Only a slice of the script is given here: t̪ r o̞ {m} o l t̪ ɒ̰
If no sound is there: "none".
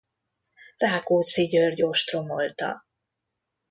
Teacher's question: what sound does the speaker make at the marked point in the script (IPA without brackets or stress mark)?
m